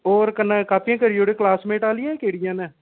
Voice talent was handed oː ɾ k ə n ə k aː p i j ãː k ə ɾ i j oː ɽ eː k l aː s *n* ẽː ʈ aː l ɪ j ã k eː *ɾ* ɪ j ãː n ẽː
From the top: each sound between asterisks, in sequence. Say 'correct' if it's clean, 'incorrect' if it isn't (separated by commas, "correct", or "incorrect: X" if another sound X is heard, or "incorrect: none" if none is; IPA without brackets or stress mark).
incorrect: m, incorrect: ɽ